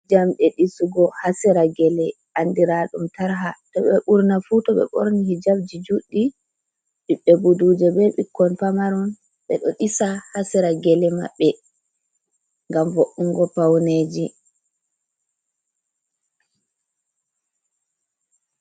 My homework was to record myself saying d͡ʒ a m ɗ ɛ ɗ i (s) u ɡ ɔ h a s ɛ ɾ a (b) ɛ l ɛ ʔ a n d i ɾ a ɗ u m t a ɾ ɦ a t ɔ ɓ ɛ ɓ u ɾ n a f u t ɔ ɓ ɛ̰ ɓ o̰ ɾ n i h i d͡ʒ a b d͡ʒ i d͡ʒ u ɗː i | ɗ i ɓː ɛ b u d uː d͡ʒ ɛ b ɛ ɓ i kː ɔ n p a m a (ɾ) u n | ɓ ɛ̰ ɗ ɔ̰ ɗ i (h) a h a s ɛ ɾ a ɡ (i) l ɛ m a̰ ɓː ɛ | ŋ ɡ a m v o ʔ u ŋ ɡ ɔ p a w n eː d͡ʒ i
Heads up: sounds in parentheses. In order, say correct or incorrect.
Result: correct, incorrect: ɡ, correct, incorrect: s, incorrect: ɛ

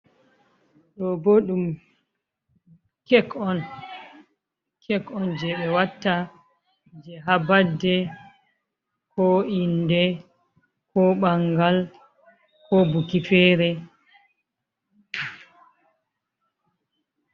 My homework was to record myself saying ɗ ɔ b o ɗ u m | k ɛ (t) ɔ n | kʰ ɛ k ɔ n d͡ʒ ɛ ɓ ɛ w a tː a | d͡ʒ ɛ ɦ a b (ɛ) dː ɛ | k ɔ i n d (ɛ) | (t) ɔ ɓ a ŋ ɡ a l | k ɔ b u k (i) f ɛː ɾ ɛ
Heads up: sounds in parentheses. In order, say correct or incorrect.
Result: incorrect: k, incorrect: a, correct, incorrect: k, correct

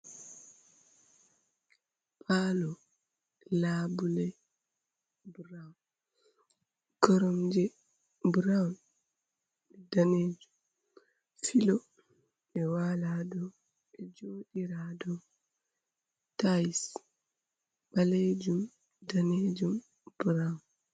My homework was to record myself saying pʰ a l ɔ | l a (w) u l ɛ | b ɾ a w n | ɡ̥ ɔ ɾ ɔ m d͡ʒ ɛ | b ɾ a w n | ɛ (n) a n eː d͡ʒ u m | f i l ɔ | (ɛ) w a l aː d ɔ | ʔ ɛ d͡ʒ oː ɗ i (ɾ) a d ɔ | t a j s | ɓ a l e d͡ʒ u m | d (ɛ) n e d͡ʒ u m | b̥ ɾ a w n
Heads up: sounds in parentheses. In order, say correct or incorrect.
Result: incorrect: b, incorrect: d, correct, correct, incorrect: a

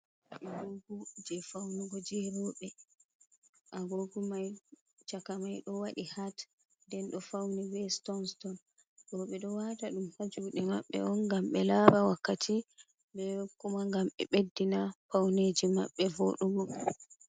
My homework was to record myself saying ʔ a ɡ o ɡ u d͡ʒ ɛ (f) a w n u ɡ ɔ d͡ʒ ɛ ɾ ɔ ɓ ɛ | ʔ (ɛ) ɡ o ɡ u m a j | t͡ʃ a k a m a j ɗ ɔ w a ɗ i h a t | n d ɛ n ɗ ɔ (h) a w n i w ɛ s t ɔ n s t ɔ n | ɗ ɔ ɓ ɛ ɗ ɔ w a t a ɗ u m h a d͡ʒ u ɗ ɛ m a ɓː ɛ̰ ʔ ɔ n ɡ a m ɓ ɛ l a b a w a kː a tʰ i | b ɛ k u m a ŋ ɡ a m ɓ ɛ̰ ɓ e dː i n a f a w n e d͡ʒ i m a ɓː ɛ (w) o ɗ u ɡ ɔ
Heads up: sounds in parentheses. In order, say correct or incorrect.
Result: correct, incorrect: a, incorrect: f, incorrect: v

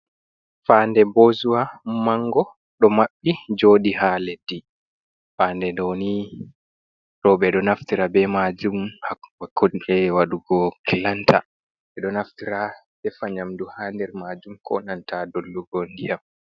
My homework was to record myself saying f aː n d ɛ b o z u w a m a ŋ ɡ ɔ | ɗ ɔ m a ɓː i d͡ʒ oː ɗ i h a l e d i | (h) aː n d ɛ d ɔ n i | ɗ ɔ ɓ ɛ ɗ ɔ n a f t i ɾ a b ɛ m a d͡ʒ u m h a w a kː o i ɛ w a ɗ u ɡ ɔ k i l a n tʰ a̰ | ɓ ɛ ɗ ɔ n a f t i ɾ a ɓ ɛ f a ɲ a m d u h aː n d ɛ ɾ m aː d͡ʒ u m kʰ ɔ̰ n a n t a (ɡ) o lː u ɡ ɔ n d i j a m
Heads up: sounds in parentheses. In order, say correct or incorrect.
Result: incorrect: f, incorrect: d

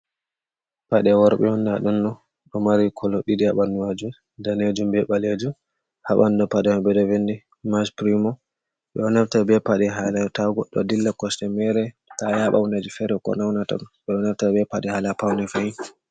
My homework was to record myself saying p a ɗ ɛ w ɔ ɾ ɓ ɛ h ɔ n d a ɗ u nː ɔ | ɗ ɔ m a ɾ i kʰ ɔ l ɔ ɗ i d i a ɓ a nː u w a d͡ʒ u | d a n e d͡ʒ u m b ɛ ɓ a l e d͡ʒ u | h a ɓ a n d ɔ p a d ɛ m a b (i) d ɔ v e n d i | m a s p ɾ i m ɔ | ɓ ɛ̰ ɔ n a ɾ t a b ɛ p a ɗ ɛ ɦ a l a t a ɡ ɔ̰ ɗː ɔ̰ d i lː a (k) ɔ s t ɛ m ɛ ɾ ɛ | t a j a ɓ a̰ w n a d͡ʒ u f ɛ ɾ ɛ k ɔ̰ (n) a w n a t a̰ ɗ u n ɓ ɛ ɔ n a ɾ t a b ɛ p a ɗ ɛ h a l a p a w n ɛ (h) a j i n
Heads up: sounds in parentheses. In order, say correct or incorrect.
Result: incorrect: ɛ, correct, correct, incorrect: f

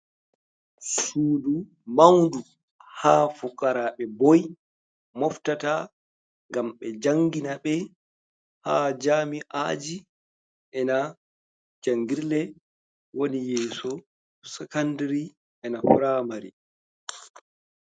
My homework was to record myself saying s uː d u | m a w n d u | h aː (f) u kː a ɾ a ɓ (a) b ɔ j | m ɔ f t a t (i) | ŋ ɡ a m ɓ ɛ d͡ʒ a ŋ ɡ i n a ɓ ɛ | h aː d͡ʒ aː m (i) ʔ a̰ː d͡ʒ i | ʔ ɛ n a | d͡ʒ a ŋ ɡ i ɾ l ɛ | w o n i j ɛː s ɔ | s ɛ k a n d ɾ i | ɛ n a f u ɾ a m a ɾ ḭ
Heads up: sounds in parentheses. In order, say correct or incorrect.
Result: correct, incorrect: ɛ, incorrect: a, correct

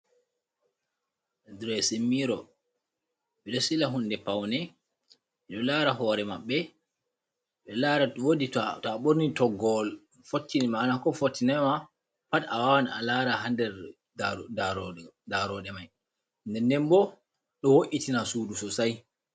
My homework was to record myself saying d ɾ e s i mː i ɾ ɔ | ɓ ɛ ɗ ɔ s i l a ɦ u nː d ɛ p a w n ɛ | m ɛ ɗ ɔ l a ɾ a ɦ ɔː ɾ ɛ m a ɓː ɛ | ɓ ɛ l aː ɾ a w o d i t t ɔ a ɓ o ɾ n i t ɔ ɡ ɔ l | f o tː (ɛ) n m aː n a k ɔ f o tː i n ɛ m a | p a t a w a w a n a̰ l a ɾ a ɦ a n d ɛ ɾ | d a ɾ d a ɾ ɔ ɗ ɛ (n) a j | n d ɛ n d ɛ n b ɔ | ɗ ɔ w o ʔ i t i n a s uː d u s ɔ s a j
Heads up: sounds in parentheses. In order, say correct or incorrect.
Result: incorrect: i, incorrect: m

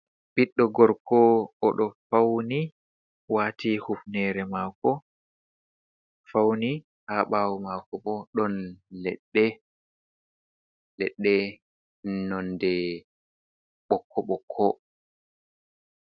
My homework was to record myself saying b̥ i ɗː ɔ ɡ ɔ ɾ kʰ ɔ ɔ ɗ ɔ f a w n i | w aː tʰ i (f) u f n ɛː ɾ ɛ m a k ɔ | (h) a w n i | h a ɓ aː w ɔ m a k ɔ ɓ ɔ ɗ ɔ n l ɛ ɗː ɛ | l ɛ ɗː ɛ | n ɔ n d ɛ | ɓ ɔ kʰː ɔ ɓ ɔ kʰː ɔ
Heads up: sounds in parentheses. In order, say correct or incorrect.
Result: incorrect: h, incorrect: f

